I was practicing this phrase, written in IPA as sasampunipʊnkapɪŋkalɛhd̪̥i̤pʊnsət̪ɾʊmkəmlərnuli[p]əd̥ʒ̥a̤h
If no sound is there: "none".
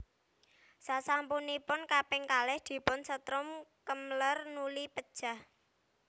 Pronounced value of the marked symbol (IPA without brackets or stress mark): p